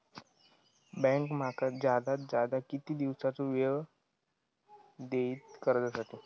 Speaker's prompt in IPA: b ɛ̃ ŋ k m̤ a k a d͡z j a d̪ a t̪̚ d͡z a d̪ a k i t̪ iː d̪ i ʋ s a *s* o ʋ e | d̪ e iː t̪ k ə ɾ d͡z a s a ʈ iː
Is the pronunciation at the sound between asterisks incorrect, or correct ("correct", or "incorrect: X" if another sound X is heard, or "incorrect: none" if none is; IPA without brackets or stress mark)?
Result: incorrect: t͡s